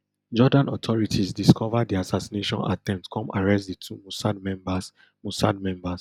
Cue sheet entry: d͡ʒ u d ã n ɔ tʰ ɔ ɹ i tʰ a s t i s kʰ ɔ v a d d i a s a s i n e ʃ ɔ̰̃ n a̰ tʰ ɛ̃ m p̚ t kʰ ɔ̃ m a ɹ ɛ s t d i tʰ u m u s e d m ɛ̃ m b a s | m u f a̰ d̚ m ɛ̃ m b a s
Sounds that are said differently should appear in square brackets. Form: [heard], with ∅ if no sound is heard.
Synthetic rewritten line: d͡ʒ [ɔ] d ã n ɔ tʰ ɔ ɹ i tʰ [i] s [d] i s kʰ ɔ v a d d i a s a s i n e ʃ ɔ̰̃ n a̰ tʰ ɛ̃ m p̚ t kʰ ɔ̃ m a ɹ ɛ s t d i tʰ u m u s [a] d m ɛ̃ m b a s | m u [s] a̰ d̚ m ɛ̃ m b a s